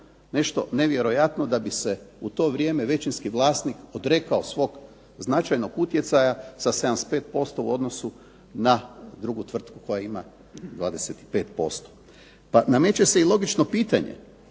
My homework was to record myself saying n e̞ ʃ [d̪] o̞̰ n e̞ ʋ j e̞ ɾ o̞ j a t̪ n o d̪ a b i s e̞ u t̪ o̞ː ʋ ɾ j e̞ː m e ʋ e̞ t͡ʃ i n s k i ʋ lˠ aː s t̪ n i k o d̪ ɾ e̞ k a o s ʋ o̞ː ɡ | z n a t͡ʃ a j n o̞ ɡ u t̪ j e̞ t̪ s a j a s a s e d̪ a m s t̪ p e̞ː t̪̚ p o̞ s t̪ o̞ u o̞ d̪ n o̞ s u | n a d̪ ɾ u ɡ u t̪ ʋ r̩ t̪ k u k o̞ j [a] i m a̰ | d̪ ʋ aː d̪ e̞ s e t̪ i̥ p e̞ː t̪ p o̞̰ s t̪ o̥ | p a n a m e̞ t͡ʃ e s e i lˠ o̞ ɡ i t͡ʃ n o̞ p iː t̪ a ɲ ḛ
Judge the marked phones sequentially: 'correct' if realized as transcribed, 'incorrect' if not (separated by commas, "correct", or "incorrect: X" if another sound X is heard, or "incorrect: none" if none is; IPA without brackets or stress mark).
incorrect: t̪, correct